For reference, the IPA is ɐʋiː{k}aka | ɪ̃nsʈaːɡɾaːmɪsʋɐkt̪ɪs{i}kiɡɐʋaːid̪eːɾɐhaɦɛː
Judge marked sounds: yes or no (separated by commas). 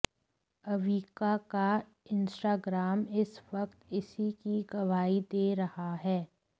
yes, yes